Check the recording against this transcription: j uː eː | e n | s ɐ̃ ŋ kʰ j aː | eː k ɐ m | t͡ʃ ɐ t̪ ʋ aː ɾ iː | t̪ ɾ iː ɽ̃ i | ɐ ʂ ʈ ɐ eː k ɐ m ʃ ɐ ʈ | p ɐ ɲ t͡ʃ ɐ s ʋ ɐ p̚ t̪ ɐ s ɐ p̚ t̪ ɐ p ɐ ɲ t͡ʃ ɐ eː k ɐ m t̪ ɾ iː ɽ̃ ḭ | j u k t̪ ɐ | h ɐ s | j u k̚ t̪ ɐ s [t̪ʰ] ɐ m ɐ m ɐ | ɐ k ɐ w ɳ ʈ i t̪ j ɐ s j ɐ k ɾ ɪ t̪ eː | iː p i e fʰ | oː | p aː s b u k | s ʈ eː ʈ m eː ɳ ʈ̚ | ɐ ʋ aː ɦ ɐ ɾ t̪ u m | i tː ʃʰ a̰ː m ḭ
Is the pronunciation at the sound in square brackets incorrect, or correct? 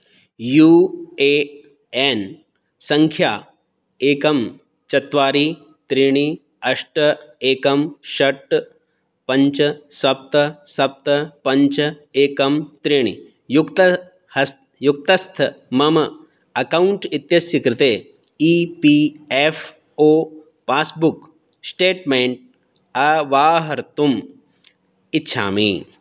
correct